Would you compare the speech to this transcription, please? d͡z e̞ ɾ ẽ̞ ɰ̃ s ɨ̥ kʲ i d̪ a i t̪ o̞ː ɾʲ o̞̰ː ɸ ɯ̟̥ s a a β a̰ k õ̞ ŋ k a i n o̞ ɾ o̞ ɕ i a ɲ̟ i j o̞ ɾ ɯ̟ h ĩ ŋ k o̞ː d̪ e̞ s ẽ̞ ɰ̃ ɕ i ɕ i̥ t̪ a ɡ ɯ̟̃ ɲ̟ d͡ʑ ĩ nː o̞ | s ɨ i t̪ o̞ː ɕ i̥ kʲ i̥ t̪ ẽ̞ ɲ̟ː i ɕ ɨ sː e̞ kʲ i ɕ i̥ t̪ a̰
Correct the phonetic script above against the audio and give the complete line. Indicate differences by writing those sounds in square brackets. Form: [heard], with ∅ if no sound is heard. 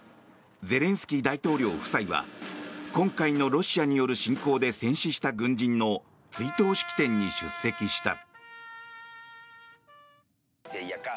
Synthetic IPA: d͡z e̞ ɾ ẽ̞ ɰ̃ s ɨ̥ kʲ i d̪ a i t̪ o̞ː ɾʲ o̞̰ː ɸ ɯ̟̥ s a [i] β a̰ k õ̞ ŋ k a i n o̞ ɾ o̞ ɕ i a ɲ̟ i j o̞ ɾ ɯ̟ [ɕ] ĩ ŋ k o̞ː d̪ e̞ s ẽ̞ ɰ̃ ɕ i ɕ i̥ t̪ a ɡ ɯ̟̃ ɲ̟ d͡ʑ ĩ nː o̞ | [t͡s] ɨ i t̪ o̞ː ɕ i̥ kʲ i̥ t̪ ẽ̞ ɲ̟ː i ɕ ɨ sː e̞ kʲ i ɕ i̥ t̪ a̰